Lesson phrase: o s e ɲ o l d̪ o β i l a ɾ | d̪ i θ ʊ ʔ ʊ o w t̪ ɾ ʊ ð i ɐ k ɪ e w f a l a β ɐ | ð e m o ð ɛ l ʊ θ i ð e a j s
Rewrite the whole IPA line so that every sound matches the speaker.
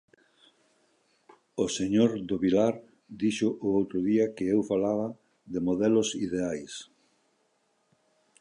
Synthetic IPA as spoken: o s e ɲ o ɾ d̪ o β i l a ɾ | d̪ i ʃ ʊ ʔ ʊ o w t̪ ɾ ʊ ð i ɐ k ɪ e w f a l a β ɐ | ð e m o ð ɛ l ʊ s i ð e a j s

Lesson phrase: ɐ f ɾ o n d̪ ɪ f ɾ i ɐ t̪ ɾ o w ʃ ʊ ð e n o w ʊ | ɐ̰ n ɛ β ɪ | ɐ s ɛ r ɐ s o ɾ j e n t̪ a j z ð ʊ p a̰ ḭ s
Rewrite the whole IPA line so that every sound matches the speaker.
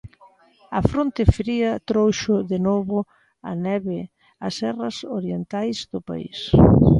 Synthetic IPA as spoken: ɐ f ɾ o n t̪ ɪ f ɾ i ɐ t̪ ɾ o w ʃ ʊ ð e n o β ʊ | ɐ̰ n ɛ β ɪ | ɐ s ɛ r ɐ s o ɾ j e n t̪ a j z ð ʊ p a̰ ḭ s

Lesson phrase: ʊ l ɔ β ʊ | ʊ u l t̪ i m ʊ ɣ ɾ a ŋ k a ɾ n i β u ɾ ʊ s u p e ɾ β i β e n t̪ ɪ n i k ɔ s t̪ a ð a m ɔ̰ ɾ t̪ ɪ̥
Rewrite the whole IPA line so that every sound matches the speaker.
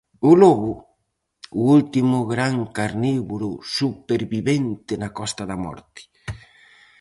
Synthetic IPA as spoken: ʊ l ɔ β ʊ | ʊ u l t̪ i m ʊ ɣ ɾ a ŋ k a ɾ n i β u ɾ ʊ s u p e ɾ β i β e n t̪ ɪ n a k ɔ s t̪ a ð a m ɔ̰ ɾ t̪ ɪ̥

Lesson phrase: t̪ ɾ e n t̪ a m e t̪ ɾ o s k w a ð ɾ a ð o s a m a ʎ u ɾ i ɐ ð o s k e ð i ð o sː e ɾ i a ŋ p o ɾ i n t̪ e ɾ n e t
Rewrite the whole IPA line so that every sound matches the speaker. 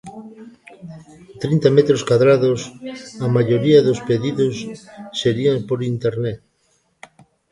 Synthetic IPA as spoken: t̪ ɾ i n t̪ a m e t̪ ɾ o s k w a ð ɾ a ð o s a m a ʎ o ɾ i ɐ ð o s p e ð i ð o sː e ɾ i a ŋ p o ɾ i n t̪ e ɾ n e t

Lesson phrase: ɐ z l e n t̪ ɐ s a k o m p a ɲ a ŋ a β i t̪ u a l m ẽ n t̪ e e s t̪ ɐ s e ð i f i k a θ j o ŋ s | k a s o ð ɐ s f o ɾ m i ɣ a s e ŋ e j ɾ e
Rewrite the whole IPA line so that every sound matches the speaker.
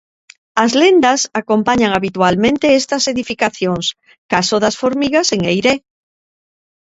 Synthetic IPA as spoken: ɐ z l e n d̪ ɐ s a k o m p a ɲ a ŋ a β i t̪ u a l m ẽ n t̪ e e s t̪ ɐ s e ð i f i k a θ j o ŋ s | k a s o ð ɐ s f o ɾ m i ɣ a s e ŋ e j ɾ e

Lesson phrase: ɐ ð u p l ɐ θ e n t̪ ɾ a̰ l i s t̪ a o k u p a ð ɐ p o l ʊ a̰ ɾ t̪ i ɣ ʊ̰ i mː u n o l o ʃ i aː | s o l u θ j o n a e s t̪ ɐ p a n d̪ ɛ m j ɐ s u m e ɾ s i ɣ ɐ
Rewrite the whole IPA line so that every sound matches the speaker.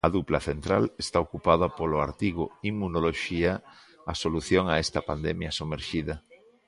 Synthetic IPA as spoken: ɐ ð u p l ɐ θ e n t̪ ɾ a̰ l e s t̪ a o k u p a ð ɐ p o l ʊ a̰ ɾ t̪ i ɣ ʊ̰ i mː u n o l o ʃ i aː | s o l u θ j o ŋ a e s t̪ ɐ p a n d̪ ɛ m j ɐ s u m e ɾ ʃ i ð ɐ

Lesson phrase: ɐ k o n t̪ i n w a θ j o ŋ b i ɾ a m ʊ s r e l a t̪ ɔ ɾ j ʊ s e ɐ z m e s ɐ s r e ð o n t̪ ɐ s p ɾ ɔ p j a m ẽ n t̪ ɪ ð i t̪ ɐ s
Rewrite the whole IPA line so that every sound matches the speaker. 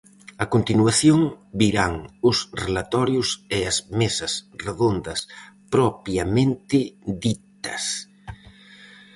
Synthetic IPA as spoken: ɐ k o n t̪ i n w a θ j o ŋ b i ɾ a ŋ ʊ s r e l a t̪ ɔ ɾ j ʊ s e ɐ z m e s ɐ s r e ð o n d̪ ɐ s p ɾ ɔ p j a m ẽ n t̪ ɪ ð i t̪ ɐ s

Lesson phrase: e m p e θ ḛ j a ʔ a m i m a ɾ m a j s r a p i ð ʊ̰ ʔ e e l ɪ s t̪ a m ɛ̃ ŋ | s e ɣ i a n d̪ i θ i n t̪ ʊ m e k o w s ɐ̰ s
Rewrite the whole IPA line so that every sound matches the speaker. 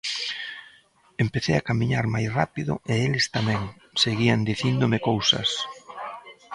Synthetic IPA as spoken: e m p e θ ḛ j a k a m i ɲ a ɾ m a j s r a p i ð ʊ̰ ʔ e e l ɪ s t̪ a m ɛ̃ ŋ | s e ɣ i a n d̪ i θ i n d̪ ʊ m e k o w s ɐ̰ s

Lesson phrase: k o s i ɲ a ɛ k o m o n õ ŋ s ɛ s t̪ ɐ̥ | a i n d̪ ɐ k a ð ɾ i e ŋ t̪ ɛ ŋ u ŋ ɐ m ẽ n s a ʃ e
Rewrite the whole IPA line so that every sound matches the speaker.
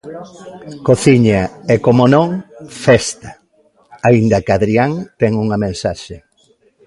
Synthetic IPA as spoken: k o θ i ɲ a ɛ k o m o n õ ŋ f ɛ s t̪ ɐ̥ | a i n d̪ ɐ k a ð ɾ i a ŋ t̪ ɛ ŋ u ŋ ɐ m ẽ n s a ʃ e

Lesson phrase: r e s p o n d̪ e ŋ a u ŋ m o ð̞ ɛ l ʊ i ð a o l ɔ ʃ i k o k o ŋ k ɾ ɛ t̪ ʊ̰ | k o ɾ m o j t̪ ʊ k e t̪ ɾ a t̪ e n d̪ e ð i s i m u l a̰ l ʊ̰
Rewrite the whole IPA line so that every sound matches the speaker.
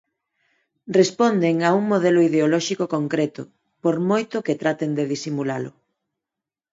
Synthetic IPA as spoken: r e s p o n d̪ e ŋ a u ŋ m o ð̞ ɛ l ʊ i ð e o l ɔ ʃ i k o k o ŋ k ɾ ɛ t̪ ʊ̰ | p o ɾ m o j t̪ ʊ k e t̪ ɾ a t̪ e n d̪ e ð i s i m u l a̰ l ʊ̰

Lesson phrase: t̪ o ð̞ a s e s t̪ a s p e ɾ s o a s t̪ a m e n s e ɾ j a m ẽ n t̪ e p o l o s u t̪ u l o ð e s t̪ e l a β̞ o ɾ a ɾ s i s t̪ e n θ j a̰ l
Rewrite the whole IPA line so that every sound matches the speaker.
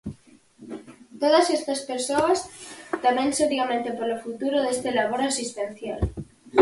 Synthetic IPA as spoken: t̪ o ð̞ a s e s t̪ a s p e ɾ s o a s t̪ a m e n s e ɾ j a m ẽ n t̪ e p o l o f u t̪ u ɾ o ð e s t̪ e l a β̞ o ɾ a s i s t̪ e n θ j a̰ l

